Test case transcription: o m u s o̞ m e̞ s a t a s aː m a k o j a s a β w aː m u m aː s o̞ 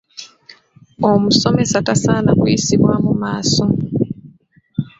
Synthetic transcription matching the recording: o m u s o̞ m e̞ s a t a s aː n a k u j i s i β w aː m u m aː s o̞